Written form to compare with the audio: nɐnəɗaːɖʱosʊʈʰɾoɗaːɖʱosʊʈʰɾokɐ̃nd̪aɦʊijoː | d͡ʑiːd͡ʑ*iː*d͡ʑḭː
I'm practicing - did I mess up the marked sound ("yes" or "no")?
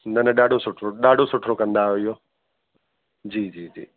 no